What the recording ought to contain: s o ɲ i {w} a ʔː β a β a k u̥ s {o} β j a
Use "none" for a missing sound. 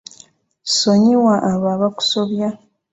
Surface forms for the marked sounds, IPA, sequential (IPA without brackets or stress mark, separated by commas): w, o